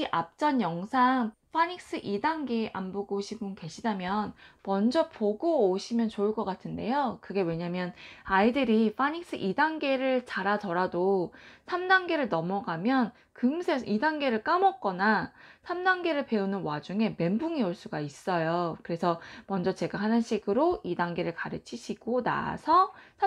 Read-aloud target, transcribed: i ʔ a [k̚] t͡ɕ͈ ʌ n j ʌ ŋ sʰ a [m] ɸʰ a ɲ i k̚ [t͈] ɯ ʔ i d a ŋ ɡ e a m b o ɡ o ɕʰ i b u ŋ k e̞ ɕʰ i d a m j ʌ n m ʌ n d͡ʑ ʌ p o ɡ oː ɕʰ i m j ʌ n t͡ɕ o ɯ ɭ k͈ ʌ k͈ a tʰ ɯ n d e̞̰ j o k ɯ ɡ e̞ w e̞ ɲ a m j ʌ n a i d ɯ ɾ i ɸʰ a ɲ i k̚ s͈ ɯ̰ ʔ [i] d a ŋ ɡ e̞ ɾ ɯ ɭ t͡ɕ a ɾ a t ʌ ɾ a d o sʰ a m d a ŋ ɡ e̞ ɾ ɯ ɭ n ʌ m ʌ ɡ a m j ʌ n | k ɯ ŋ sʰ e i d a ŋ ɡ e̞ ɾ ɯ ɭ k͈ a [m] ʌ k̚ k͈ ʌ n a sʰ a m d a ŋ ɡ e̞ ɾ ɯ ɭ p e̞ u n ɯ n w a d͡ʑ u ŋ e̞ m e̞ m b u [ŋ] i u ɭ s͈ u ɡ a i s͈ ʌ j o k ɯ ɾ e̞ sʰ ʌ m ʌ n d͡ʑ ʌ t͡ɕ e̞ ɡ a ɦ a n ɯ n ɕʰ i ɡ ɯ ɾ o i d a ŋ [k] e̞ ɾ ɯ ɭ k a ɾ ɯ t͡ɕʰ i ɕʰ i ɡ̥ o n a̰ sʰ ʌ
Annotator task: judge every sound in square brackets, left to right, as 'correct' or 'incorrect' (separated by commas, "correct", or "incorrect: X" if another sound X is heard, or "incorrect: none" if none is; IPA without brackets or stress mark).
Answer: incorrect: p̚, incorrect: ŋ, incorrect: s͈, correct, correct, correct, incorrect: ɡ